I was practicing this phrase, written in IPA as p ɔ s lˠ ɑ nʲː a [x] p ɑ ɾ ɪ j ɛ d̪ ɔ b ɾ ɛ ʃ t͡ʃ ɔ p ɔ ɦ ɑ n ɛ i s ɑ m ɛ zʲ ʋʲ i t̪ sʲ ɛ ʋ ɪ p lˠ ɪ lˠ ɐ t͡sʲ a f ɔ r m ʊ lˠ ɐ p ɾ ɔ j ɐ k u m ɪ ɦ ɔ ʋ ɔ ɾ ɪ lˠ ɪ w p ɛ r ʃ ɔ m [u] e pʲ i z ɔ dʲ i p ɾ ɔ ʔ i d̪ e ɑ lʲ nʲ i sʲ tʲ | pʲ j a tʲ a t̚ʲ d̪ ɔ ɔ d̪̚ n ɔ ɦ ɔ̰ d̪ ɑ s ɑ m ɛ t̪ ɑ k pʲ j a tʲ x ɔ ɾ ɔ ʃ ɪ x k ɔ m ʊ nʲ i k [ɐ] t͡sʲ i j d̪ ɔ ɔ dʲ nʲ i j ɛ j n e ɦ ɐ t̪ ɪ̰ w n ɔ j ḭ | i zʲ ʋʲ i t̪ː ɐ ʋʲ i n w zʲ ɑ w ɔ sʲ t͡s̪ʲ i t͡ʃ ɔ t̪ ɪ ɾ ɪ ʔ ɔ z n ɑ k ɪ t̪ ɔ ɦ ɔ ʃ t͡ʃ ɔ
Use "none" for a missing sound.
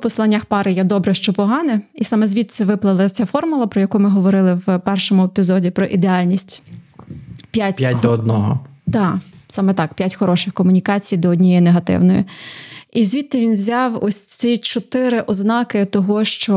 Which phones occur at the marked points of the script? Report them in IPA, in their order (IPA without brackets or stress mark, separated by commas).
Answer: x, ʊ, ɑ